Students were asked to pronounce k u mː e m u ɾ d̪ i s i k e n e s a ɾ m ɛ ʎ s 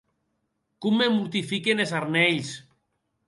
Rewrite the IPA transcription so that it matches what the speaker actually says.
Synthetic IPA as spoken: k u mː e m u ɾ t̪ i f i k e n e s a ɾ n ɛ ʎ s